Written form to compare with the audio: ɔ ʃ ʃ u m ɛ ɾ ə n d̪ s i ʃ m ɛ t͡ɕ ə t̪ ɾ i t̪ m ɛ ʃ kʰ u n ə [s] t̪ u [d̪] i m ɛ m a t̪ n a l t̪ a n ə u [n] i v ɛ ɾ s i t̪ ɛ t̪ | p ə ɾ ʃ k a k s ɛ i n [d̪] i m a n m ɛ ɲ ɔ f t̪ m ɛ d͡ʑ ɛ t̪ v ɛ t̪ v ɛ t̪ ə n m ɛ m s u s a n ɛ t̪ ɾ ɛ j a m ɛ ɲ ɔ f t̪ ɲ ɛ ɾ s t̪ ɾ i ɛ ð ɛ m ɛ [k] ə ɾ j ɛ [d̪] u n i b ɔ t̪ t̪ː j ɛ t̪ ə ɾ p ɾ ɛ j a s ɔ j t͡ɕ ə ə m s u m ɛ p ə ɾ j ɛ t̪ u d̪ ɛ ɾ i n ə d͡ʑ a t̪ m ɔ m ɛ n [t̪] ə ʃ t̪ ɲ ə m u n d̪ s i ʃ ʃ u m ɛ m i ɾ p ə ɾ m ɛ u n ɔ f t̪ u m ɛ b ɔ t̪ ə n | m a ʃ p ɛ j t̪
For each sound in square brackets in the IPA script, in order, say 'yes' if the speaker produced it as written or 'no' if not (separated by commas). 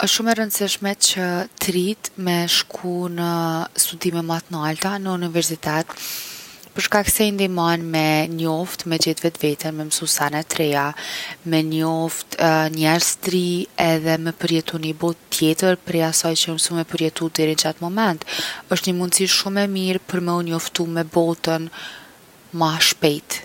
yes, yes, yes, yes, no, no, yes